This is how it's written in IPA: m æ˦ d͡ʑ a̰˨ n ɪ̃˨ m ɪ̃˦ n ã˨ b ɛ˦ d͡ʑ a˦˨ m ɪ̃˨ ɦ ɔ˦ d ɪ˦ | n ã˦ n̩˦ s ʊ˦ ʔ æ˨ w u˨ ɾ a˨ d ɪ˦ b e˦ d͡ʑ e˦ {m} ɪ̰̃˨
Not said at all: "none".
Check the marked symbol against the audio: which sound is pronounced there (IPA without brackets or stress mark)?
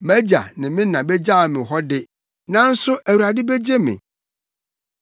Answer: m